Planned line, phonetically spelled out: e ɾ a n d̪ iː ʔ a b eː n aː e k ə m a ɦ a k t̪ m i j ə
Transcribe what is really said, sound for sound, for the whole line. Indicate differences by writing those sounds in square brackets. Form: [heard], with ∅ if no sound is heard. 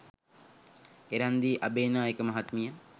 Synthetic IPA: e ɾ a n d̪ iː ʔ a b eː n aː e k ə m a ɦ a [∅] t̪ m i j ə